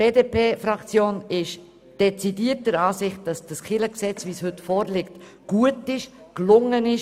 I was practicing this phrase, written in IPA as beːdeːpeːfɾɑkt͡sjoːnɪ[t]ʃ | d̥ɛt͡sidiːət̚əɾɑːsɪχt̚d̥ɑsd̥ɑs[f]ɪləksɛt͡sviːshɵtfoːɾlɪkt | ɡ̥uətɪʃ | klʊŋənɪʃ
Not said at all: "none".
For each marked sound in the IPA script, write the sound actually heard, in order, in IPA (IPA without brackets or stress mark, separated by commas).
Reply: none, χ